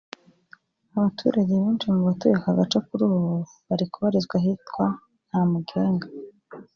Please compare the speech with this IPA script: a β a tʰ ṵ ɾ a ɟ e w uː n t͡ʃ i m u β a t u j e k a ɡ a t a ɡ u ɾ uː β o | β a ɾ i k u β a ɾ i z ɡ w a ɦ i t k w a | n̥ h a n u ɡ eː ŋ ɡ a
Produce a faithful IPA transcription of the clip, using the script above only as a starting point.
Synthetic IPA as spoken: a β a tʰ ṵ ɾ a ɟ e β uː n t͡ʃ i m u β a t u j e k a ɡ a t͡ʃ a k u ɾ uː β o | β a ɾ i k u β a ɾ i z ɡ w a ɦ i t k w a | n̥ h a m u ɡ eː ŋ ɡ a